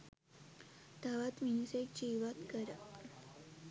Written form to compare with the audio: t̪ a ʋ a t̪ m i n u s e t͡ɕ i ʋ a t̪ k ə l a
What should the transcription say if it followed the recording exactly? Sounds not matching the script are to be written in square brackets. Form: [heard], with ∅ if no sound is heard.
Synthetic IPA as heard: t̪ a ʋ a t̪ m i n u s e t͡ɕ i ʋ a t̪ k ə [ɾ] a